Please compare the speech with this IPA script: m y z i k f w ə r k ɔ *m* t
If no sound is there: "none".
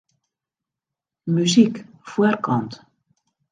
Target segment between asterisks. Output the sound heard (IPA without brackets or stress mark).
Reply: n